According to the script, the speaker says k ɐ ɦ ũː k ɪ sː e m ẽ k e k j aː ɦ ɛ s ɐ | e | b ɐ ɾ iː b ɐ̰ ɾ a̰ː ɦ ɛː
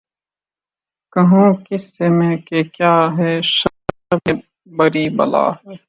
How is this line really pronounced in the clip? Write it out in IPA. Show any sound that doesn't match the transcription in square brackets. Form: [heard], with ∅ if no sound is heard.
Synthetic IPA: k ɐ ɦ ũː k ɪ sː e m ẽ k e k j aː ɦ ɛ [ʃ] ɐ | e | b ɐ ɾ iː b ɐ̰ [l] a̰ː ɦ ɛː